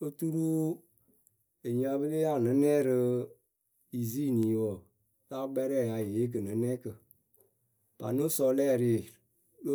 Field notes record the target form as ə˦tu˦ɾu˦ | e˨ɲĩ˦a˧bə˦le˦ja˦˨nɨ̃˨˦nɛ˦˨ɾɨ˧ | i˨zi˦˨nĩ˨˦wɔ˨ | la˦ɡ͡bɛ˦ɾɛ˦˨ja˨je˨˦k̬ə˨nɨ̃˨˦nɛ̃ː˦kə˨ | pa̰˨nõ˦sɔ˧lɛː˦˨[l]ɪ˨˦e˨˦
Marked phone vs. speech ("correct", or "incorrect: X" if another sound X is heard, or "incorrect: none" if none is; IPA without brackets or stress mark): incorrect: ɾ